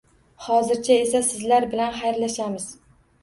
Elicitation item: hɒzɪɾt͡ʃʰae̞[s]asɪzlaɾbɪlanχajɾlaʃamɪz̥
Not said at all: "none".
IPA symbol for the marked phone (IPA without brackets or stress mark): s